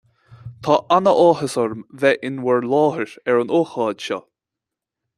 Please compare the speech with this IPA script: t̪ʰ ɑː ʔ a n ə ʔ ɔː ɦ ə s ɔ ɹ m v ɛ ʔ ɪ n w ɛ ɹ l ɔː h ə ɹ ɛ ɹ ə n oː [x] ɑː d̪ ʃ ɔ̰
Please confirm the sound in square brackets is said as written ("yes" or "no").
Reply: yes